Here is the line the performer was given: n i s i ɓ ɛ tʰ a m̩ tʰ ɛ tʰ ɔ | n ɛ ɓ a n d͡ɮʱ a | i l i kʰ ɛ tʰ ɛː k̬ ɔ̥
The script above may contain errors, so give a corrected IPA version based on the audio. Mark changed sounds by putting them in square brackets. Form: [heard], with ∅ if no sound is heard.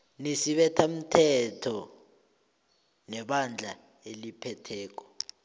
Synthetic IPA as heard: n i s i ɓ ɛ tʰ a m̩ tʰ ɛ tʰ ɔ | n ɛ ɓ a n d͡ɮʱ a | [e] l i [pʰ] ɛ tʰ ɛː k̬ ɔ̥